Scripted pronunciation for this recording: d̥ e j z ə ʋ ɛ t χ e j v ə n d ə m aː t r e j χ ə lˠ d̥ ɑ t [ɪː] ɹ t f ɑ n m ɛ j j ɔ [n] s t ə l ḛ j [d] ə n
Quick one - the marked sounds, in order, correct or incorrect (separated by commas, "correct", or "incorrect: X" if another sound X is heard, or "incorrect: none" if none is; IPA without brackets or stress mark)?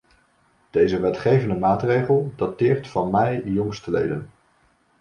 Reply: correct, incorrect: ŋ, correct